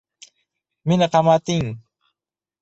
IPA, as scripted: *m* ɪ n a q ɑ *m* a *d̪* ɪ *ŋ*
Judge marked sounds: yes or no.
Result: yes, yes, no, yes

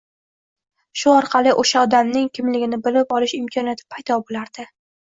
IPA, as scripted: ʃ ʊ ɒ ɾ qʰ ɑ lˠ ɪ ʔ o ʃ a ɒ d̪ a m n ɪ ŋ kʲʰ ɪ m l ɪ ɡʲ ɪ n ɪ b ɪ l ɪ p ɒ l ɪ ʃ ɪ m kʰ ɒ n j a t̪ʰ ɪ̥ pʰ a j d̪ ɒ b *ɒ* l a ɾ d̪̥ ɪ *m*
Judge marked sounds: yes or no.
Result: no, no

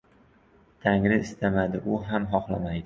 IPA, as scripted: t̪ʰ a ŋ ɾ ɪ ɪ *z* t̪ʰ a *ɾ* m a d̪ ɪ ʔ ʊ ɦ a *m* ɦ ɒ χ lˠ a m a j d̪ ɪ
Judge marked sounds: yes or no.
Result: no, no, yes

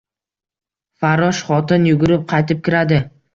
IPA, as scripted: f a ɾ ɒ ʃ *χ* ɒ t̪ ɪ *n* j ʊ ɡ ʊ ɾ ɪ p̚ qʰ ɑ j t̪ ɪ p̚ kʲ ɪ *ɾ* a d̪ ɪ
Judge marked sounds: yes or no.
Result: yes, yes, yes

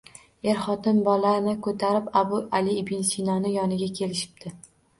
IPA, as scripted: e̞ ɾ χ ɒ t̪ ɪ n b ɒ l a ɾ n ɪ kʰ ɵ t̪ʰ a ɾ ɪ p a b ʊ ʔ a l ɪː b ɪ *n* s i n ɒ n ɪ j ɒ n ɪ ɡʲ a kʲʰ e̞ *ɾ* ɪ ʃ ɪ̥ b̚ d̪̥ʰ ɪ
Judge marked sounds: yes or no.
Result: yes, no

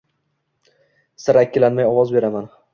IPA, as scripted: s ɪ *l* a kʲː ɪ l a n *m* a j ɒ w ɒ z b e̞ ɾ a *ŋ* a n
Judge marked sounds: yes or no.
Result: no, yes, no

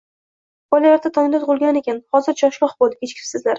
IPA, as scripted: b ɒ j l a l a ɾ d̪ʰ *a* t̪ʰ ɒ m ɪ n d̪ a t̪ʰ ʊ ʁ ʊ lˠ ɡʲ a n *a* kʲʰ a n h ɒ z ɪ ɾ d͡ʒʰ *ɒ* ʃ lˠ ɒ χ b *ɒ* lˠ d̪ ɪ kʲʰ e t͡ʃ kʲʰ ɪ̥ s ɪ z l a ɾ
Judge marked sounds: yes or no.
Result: yes, no, yes, no

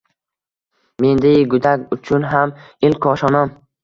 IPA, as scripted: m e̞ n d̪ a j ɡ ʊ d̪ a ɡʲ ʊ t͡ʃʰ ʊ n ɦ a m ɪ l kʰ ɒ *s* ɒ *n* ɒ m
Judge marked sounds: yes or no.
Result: no, yes

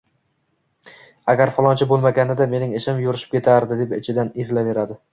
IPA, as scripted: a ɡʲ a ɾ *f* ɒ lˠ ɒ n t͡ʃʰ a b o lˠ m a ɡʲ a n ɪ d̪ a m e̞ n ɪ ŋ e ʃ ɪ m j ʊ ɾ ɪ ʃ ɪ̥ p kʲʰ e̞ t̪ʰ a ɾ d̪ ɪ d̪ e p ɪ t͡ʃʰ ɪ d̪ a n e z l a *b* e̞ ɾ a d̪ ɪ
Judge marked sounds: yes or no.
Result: yes, no

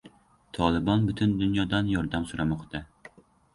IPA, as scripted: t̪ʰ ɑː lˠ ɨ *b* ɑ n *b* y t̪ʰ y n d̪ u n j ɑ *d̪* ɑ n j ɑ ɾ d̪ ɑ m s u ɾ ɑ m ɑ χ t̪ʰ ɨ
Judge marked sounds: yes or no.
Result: yes, yes, yes

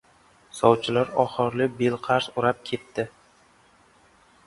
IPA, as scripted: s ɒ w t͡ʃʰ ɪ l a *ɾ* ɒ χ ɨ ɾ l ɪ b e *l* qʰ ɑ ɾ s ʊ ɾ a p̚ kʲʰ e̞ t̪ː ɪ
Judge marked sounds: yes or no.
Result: yes, yes

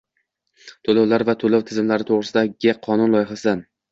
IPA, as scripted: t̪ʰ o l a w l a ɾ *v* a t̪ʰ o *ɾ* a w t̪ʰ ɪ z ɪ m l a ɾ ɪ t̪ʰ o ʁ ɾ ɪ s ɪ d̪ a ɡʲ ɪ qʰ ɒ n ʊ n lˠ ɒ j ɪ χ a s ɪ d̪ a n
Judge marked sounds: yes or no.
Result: yes, no

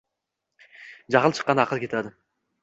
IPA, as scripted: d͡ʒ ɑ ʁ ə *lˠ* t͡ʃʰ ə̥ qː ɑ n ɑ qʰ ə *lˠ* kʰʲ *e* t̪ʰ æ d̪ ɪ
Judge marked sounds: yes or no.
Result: yes, yes, yes

